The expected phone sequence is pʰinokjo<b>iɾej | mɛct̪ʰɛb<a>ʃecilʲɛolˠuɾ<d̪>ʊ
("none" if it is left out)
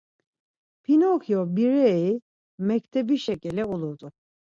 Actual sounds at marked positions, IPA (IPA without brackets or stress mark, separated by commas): b, i, d̪